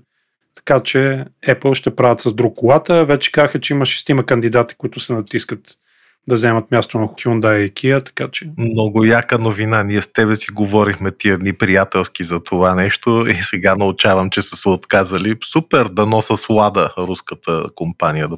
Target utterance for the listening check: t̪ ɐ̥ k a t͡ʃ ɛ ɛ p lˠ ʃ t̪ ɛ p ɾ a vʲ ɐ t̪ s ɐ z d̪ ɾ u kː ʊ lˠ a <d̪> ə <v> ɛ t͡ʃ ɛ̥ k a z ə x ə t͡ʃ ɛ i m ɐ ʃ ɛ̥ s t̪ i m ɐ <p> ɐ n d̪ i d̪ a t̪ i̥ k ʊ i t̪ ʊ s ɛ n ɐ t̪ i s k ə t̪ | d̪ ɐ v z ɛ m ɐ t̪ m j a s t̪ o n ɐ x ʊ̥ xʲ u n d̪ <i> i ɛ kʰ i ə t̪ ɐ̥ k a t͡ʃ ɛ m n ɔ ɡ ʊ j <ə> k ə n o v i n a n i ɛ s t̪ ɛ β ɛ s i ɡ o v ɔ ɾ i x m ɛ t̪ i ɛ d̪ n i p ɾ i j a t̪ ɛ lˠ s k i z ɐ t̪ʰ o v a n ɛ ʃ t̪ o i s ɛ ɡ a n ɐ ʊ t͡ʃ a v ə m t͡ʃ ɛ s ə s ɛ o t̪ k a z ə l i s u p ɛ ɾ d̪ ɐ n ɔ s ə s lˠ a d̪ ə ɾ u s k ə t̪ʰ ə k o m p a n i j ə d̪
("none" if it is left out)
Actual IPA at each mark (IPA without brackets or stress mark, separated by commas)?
t̪, v, k, a, a